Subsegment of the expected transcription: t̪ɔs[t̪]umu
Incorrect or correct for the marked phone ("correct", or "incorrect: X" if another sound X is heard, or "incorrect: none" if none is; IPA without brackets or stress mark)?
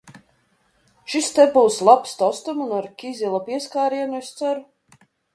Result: correct